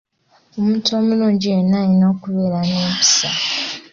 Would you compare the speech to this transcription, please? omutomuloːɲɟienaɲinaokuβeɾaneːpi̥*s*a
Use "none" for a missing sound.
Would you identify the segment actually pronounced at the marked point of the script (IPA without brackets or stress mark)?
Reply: s